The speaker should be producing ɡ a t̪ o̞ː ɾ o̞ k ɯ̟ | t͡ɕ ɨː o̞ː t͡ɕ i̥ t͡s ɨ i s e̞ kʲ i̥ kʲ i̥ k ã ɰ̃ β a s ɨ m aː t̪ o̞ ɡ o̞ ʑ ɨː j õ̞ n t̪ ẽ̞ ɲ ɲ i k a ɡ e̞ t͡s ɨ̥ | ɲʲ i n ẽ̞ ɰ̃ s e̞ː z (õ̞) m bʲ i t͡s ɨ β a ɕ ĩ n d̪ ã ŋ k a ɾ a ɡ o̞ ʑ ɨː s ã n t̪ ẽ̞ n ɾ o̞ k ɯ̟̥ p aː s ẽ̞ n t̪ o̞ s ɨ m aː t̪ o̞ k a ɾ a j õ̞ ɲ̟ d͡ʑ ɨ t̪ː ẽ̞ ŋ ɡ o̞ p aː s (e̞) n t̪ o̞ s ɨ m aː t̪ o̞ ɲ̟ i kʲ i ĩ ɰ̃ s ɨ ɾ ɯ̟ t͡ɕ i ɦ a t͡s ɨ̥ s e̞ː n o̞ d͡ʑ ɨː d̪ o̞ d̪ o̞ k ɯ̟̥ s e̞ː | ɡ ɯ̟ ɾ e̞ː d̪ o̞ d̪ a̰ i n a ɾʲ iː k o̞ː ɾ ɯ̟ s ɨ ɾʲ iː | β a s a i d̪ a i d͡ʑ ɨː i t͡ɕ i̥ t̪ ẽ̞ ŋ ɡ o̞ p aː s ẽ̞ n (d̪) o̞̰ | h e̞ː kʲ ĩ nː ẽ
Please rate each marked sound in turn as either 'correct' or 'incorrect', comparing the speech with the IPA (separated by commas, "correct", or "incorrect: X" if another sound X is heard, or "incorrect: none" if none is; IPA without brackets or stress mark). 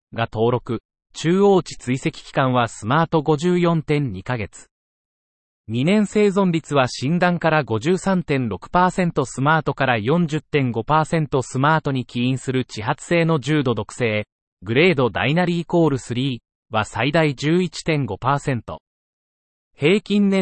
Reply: correct, incorrect: ẽ̞, incorrect: t̪